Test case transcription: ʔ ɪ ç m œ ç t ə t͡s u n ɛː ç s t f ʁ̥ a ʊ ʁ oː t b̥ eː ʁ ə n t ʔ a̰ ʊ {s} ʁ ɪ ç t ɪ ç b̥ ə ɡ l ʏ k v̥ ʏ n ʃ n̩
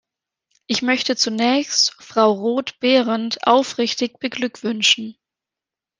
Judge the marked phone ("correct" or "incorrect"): incorrect